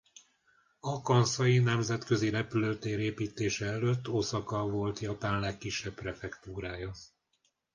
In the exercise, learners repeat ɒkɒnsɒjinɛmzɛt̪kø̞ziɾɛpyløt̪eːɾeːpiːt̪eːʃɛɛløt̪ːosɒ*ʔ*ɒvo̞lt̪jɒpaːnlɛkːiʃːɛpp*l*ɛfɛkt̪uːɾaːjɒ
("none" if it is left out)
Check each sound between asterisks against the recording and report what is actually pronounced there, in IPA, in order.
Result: k, r

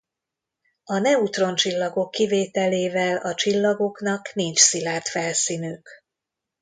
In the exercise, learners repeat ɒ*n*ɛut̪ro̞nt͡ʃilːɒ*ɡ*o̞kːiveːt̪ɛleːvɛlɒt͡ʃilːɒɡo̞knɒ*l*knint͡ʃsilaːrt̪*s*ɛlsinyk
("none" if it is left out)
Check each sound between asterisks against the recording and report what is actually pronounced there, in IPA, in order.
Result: n, ɡ, none, f

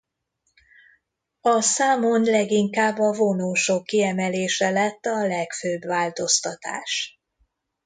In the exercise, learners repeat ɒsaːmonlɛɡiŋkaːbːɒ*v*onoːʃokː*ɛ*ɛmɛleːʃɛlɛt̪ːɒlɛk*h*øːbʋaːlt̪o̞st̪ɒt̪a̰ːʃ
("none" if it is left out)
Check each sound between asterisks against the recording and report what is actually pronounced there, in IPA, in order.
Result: v, i, f

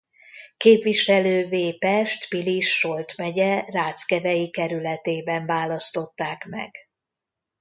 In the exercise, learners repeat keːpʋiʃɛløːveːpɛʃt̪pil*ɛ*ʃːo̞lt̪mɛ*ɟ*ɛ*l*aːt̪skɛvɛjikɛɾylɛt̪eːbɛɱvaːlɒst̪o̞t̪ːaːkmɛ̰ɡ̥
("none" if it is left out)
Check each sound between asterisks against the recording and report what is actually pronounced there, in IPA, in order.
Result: i, ɟ, r

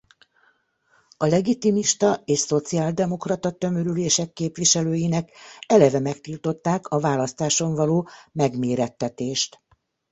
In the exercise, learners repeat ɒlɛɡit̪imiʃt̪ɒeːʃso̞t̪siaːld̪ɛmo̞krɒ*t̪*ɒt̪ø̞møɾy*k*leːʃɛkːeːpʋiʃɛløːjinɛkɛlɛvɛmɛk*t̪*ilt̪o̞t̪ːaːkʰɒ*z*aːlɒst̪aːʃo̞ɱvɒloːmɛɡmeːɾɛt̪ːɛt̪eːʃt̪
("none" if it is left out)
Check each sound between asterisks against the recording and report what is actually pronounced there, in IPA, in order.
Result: t̪, none, t̪, v

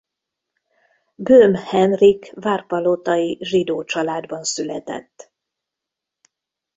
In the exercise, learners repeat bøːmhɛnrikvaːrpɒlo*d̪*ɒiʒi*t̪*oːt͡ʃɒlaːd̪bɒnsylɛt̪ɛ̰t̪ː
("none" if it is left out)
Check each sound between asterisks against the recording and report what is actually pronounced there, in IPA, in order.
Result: t̪, d̪

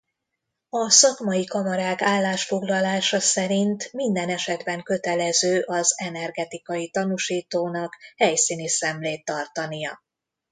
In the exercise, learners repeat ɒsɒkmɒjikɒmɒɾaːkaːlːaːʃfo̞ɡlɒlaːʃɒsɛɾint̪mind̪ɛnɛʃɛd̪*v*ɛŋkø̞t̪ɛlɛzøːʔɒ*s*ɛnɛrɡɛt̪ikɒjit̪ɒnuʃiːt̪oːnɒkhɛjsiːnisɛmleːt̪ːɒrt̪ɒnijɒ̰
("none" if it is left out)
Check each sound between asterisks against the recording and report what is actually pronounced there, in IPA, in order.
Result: b, z

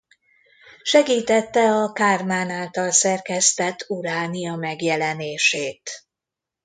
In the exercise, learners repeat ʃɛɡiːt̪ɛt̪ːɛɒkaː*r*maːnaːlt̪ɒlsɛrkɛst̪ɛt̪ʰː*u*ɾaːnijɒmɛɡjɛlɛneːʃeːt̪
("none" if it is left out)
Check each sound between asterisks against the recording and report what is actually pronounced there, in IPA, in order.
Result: r, u

